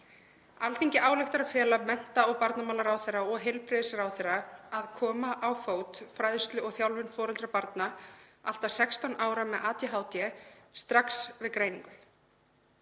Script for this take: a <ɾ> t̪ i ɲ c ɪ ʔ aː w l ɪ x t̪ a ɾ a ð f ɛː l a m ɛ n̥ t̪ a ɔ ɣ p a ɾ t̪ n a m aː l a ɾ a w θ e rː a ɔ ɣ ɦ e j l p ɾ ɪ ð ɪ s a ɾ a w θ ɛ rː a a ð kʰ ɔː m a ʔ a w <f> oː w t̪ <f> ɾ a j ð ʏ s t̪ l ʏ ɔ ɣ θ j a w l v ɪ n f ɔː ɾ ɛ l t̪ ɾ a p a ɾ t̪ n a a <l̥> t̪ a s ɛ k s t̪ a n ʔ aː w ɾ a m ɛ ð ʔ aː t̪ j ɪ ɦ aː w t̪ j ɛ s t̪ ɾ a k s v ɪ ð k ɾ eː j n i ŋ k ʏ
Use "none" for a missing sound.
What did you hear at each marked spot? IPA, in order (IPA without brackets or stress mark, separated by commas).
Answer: l, f, f, l̥